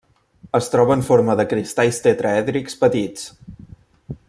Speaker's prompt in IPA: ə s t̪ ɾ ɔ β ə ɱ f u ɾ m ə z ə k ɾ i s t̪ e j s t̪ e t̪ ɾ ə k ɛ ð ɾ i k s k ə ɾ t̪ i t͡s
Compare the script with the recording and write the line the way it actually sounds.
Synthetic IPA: ə s t̪ ɾ ɔ β ə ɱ f o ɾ m ə ð ə k ɾ i s t̪ a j s t̪ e t̪ ɾ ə ɛ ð ɾ i k s p ə t̪ i t͡s